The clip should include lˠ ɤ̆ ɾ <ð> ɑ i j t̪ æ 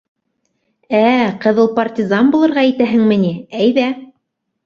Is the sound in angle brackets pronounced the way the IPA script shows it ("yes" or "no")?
no